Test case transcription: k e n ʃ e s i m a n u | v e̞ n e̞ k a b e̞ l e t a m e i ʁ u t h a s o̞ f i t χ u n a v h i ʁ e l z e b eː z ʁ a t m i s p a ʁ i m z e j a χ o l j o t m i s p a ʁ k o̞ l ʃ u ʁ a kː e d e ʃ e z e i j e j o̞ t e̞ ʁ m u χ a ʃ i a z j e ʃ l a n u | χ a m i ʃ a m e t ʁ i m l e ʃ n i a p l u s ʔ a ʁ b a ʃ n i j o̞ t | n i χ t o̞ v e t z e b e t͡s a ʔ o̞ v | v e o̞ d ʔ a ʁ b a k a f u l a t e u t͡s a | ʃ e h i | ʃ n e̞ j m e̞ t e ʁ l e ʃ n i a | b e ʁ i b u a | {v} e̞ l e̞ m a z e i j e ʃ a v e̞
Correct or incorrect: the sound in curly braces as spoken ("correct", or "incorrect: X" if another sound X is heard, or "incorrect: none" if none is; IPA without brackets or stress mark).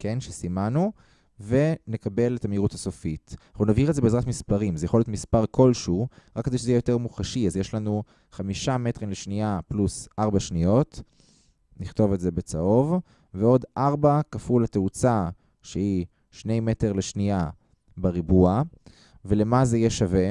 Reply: correct